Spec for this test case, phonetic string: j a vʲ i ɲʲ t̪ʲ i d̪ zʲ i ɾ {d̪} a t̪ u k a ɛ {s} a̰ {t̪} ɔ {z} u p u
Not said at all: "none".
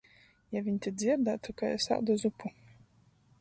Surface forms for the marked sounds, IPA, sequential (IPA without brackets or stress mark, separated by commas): d̪, s, d̪, z